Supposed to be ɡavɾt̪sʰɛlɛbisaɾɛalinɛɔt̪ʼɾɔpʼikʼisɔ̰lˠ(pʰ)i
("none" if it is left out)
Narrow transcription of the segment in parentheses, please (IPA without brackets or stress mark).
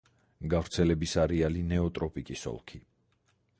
kʰ